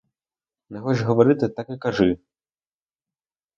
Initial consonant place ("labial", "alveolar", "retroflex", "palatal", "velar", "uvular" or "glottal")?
alveolar